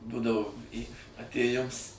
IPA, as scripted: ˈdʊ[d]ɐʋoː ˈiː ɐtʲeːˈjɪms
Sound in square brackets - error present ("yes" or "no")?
no